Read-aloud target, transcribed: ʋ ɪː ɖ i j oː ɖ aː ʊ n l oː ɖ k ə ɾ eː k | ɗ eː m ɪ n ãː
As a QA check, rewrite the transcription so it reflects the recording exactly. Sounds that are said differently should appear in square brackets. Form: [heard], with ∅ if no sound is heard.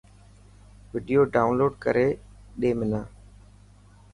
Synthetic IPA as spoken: ʋ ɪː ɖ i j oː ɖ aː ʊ n l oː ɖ k ə ɾ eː [∅] | ɗ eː m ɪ n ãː